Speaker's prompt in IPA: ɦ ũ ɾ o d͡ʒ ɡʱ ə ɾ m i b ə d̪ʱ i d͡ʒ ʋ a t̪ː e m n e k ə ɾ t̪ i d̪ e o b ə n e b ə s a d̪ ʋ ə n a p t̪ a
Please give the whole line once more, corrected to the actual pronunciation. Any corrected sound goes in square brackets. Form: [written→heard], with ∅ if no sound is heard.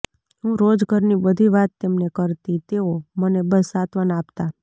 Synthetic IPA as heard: ɦ ũ ɾ o d͡ʒ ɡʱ ə ɾ [m→n] i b ə d̪ʱ i [d͡ʒ→∅] ʋ a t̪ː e m n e k ə ɾ t̪ i [d̪→t̪] e o [b→m] ə n e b ə s a [d̪→t̪] ʋ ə n a p t̪ a